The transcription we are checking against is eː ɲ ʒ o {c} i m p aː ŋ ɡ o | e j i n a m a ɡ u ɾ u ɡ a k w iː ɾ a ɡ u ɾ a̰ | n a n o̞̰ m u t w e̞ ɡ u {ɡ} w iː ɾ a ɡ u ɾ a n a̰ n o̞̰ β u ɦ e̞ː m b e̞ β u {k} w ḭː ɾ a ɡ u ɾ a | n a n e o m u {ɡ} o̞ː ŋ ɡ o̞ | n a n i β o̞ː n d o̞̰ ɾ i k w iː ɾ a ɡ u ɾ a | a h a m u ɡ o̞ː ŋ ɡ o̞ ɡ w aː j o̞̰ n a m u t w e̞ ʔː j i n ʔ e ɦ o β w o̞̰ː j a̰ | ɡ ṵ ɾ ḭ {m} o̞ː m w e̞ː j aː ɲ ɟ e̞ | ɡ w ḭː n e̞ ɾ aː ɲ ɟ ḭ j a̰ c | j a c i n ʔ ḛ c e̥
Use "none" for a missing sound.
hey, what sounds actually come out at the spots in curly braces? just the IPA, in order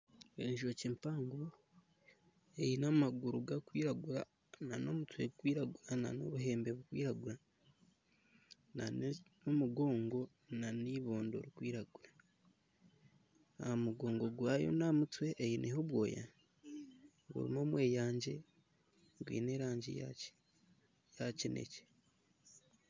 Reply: c, k, k, ɡ, m

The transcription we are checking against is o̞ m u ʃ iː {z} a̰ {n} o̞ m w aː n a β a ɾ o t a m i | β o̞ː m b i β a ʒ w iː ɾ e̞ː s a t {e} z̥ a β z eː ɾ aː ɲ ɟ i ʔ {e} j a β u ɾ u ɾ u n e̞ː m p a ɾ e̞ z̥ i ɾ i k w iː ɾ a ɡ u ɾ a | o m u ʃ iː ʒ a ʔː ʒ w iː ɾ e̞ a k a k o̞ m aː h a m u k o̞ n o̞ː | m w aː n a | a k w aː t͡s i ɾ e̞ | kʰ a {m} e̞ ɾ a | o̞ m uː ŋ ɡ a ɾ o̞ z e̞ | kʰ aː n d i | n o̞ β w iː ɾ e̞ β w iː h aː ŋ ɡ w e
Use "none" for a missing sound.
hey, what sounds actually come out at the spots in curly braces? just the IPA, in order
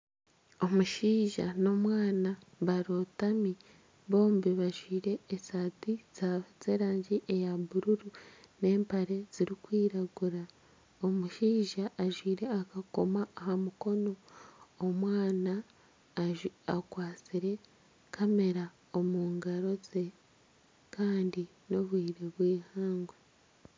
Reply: ʒ, n, i, e, m

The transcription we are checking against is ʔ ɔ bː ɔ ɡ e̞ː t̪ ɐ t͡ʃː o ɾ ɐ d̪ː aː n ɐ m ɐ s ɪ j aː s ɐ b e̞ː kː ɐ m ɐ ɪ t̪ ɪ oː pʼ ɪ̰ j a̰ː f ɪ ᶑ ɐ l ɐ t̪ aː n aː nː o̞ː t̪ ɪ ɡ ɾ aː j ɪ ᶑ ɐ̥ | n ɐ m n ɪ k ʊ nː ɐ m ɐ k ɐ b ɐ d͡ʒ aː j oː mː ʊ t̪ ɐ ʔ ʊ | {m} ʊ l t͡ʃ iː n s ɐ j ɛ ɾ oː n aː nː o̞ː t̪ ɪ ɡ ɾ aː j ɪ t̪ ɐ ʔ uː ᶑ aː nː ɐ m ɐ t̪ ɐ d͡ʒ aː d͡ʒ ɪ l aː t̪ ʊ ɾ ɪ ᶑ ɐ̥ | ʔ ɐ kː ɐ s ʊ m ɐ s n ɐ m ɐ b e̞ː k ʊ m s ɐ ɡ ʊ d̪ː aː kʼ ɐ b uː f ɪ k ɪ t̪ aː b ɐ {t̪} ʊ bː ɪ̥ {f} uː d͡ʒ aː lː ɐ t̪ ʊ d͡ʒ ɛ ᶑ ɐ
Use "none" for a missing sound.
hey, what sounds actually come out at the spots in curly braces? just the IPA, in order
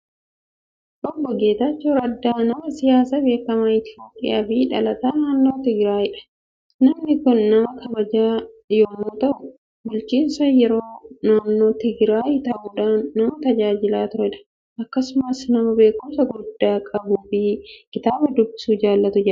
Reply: b, d̪, s

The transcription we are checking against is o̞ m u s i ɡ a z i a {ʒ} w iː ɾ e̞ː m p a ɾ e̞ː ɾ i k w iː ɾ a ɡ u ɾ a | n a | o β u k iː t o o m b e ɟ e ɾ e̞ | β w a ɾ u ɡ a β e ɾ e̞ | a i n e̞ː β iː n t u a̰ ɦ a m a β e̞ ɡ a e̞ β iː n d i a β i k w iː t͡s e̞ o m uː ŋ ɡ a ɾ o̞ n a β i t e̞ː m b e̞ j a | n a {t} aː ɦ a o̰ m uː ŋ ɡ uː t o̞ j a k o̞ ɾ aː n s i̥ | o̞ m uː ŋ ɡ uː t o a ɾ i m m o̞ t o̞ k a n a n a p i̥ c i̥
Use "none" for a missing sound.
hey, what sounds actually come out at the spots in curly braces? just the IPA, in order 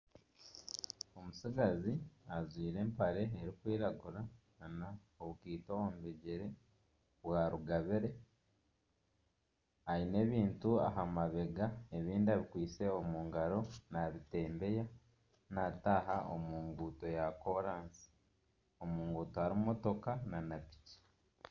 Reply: z, t

